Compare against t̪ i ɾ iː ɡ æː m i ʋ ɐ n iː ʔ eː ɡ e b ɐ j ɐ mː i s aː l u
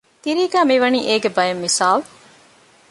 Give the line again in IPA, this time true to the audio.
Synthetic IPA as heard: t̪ i ɾ iː ɡ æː m i ʋ ɐ n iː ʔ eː ɡ e b ɐ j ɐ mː i s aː l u